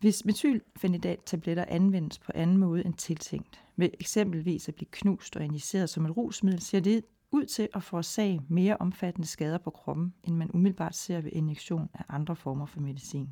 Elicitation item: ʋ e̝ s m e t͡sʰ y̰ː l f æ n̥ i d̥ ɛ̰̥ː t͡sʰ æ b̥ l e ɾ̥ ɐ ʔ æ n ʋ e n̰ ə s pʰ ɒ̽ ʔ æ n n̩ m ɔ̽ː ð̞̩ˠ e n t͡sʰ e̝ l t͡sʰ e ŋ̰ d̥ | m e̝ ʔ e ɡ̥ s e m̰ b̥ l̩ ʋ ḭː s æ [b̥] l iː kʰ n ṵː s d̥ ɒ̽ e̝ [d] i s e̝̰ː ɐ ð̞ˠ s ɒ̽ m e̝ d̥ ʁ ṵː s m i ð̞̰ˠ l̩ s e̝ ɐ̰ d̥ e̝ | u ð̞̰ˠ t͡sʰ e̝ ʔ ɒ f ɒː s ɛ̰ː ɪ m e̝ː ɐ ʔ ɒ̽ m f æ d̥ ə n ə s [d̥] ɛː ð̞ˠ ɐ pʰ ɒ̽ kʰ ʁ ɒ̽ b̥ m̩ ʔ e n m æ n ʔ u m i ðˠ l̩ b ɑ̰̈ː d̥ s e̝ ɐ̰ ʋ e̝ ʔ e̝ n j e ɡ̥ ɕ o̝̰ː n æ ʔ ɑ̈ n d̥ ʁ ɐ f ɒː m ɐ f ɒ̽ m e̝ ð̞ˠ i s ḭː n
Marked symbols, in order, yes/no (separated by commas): yes, no, no